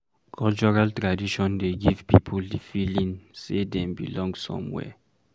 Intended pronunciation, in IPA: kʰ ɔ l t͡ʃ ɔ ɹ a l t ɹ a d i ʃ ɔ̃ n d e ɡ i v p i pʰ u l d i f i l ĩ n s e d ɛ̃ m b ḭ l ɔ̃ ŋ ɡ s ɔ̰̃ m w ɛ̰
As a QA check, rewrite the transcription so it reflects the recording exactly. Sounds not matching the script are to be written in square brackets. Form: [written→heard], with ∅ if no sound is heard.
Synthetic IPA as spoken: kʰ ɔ l t͡ʃ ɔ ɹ a l t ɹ a d i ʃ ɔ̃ n d e ɡ i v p i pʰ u l d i f i l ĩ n s e d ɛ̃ m b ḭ l ɔ̃ ŋ ɡ s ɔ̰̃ m w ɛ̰